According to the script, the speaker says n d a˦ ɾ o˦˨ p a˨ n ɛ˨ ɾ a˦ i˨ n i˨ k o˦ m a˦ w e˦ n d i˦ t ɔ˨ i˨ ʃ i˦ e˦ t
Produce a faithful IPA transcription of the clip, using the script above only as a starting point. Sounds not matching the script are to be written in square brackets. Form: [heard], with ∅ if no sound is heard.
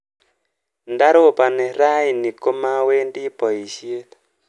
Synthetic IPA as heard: n d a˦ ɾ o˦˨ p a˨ n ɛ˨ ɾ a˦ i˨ n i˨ k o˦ m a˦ w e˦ n d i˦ [p] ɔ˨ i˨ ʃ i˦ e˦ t